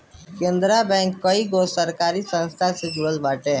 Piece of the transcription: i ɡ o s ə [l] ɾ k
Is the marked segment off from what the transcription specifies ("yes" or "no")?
yes